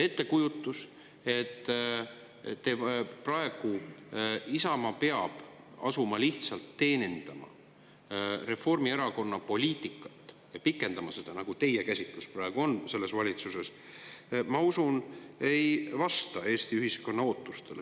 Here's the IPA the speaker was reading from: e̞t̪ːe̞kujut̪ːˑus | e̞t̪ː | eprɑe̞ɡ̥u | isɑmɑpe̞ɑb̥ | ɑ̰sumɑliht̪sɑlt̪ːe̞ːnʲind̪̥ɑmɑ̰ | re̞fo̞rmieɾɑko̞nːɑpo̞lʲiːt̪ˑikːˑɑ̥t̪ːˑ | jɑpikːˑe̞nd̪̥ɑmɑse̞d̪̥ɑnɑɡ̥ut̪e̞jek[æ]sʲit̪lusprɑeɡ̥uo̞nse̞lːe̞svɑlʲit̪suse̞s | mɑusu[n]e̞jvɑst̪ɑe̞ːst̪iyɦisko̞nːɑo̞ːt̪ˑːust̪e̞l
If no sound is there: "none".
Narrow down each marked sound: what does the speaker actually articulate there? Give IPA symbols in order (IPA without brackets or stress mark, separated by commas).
æ, n